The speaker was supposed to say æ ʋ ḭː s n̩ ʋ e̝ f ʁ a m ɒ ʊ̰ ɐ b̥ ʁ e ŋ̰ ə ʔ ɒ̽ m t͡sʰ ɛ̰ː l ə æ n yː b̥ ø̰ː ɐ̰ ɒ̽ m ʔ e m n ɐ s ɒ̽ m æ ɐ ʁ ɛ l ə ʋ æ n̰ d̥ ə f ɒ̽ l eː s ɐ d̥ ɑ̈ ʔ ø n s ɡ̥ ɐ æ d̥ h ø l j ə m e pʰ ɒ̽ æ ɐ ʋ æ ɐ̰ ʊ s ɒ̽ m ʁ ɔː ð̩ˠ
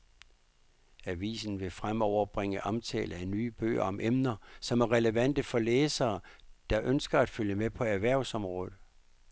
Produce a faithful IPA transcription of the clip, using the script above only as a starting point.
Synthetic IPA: æ ʋ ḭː s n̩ ʋ e̝ f ʁ a m ɒ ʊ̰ ɐ b̥ ʁ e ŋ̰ ə ʔ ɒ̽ m t͡sʰ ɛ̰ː l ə æ n yː b̥ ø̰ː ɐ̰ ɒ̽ m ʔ e m n ɐ s ɒ̽ m æ ɐ ʁ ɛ l ə ʋ æ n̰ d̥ ə f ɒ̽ l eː s ɐː d̥ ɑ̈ ʔ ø n s ɡ̥ ɐ æ d̥ f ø l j ə m e pʰ ɒ̽ æ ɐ ʋ æ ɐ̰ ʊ s ɒ̽ m ʁ ɔː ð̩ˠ